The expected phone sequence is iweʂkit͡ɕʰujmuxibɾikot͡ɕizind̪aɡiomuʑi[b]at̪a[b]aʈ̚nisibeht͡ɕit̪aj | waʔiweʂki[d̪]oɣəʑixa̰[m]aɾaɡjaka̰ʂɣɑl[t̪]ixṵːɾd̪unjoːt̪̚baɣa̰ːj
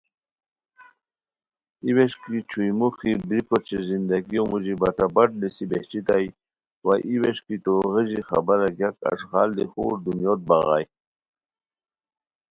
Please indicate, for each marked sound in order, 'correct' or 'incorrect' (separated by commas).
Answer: correct, correct, incorrect, incorrect, incorrect